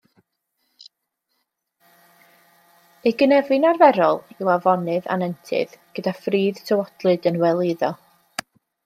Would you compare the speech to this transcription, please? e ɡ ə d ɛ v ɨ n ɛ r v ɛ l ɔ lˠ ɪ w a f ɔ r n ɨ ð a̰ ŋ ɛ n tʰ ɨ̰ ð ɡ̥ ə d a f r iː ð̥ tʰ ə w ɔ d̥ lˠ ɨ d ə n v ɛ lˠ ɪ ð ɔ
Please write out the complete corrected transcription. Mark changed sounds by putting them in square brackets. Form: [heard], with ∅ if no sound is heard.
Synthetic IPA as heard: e ɡ ə [n] ɛ v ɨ n [a] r v ɛ [ɾ] ɔ lˠ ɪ w a [v] ɔ [∅] n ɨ ð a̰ [n] ɛ n tʰ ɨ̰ ð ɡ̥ ə d a f r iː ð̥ tʰ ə w ɔ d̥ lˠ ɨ d ə n [w] ɛ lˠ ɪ ð ɔ